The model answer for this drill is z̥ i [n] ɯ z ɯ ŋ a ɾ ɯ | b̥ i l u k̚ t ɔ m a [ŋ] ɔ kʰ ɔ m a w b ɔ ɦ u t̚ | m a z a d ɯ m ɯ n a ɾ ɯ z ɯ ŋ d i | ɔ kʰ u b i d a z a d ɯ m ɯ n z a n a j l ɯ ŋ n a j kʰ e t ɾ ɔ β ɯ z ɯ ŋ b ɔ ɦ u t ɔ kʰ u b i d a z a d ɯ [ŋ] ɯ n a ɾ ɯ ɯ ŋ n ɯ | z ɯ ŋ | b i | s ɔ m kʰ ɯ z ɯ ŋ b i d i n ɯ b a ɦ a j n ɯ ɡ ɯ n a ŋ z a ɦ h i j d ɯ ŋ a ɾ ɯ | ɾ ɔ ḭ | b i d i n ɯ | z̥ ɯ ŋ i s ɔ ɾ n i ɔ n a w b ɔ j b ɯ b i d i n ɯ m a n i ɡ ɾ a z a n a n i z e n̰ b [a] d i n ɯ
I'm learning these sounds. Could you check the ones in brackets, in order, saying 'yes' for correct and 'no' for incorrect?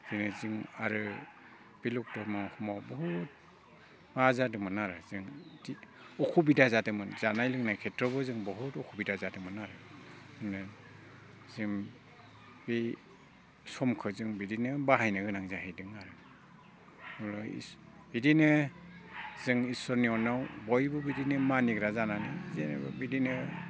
yes, yes, no, no

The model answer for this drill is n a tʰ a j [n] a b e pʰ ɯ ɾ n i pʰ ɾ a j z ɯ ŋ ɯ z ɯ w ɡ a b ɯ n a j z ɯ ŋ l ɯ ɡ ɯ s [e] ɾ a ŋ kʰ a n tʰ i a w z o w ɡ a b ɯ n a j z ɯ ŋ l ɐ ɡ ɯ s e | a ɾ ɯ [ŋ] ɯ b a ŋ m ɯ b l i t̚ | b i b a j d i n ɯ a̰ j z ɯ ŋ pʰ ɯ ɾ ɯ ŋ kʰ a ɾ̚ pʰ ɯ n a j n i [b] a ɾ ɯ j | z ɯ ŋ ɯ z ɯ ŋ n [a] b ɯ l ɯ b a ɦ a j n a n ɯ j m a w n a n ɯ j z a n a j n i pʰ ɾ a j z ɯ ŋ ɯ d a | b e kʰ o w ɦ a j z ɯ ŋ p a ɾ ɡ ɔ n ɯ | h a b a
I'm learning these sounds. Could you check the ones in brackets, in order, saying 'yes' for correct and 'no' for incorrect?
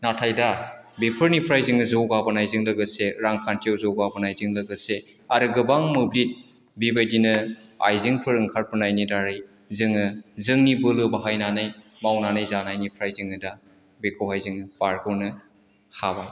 no, yes, no, no, no

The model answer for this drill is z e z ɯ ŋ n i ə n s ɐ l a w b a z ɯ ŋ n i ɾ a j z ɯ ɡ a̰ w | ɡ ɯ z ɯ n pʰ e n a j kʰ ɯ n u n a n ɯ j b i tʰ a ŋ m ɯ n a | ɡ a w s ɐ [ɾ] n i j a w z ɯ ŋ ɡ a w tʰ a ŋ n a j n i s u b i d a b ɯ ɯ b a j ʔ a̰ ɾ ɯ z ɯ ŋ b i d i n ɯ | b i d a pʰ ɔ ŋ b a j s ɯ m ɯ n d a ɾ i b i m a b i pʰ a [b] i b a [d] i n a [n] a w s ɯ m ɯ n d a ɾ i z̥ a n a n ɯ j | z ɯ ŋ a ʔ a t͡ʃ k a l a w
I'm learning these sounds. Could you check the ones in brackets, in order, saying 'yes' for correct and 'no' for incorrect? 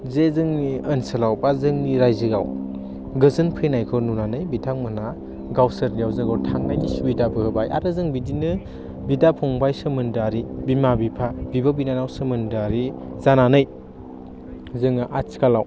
yes, yes, no, yes

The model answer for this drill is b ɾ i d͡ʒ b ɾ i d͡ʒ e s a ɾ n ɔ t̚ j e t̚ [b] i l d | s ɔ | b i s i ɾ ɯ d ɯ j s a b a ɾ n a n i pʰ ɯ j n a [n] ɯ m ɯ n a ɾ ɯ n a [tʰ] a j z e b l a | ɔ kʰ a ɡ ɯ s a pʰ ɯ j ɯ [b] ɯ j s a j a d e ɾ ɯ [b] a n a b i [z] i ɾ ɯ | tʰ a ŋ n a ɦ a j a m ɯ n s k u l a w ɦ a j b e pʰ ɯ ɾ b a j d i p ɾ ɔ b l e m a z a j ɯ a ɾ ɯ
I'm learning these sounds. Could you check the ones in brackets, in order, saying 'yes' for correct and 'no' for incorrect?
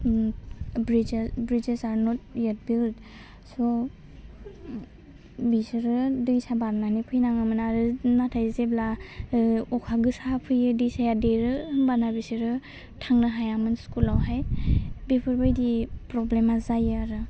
yes, no, yes, no, yes, no

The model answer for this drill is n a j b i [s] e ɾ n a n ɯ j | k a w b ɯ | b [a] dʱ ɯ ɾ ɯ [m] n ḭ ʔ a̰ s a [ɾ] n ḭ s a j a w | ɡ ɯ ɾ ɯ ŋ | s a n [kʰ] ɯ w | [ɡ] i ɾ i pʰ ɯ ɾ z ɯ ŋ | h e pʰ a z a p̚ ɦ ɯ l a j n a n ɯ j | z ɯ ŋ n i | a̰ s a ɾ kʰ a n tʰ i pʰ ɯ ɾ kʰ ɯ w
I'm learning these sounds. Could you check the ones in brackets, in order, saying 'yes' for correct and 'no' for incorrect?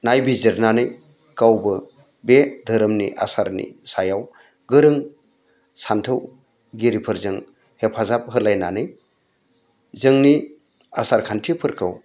no, no, yes, yes, no, yes

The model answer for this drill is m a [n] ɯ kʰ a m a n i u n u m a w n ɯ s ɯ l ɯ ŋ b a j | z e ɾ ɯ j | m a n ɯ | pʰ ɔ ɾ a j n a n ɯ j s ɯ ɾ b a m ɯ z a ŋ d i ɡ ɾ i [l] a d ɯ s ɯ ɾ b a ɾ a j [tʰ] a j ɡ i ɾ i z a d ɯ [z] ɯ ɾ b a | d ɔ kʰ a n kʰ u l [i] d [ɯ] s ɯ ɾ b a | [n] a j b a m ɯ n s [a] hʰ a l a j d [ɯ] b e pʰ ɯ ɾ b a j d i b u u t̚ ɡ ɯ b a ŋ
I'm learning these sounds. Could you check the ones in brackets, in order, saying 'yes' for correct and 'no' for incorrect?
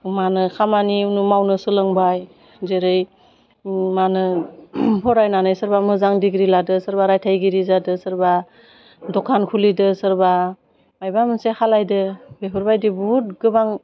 yes, yes, yes, no, yes, yes, no, no, yes

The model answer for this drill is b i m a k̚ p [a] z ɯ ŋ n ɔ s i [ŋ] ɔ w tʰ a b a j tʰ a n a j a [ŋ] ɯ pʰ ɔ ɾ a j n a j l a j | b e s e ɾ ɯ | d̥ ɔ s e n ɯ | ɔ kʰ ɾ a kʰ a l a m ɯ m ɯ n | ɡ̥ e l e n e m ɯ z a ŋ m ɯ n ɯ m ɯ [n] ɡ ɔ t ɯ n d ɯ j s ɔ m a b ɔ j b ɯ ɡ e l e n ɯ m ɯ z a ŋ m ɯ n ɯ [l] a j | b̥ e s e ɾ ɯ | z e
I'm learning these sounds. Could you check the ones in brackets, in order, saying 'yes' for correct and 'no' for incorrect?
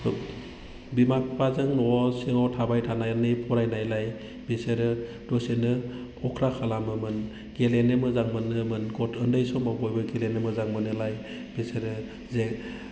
yes, yes, no, yes, yes

